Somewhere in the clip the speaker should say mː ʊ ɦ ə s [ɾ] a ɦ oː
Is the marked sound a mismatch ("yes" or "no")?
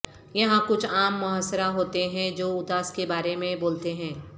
no